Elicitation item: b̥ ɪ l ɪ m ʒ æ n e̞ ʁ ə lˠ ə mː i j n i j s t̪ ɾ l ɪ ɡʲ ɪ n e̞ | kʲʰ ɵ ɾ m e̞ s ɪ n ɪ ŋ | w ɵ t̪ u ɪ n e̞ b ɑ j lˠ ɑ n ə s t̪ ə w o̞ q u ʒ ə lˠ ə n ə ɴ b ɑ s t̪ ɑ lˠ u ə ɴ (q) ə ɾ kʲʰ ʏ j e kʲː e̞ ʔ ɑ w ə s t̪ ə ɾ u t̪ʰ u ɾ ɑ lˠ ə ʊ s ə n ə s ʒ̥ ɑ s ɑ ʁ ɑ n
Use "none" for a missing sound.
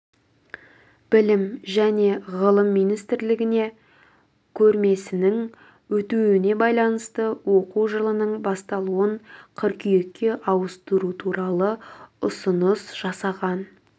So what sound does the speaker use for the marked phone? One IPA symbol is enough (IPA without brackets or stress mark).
qʰ